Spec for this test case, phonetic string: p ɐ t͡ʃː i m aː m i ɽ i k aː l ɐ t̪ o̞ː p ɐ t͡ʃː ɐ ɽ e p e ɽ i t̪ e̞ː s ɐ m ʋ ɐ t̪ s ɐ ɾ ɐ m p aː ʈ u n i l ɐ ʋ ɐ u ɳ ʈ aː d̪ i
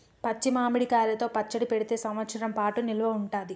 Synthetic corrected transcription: p ɐ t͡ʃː i m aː m i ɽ i k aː l ɐ t̪ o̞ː p ɐ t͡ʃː ɐ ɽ i p e ɽ i t̪ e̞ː s ɐ m ʋ ɐ t̪ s ɐ ɾ ɐ m p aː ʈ u n i l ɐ ʋ ɐ u ɳ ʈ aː d̪ i

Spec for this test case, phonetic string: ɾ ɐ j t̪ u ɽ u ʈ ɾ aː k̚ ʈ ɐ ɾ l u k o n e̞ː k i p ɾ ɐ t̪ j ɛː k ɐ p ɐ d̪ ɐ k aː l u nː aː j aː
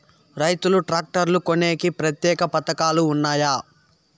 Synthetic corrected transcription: ɾ ɐ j t̪ u l u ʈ ɾ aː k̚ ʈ ɐ ɾ l u k o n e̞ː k i p ɾ ɐ t̪ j ɛː k ɐ p ɐ t̪ ɐ k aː l uː nː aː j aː

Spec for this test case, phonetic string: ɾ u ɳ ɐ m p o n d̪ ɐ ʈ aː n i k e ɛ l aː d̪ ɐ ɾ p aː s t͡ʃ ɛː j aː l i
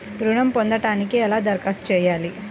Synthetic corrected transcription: ɾ u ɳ ɐ m p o n d̪ ɐ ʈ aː n i k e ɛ l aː d̪ ɐ ɾ k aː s t͡ʃ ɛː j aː l i

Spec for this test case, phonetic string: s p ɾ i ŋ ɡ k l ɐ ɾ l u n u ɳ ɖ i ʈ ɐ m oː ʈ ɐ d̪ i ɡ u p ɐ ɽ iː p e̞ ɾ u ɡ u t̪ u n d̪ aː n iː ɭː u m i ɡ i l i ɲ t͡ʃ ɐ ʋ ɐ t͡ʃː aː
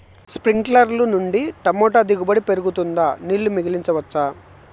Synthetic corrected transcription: s p ɾ i ŋ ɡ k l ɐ ɾ l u n u ɳ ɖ i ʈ ɐ m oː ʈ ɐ d̪ i ɡ u b ɐ ɽ i p e̞ ɾ u ɡ u t̪ u n d̪ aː n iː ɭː u m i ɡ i l i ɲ t͡ʃ ɐ ʋ ɐ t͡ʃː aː

